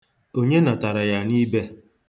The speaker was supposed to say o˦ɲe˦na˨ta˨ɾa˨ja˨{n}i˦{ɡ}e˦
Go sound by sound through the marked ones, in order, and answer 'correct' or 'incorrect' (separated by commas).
correct, incorrect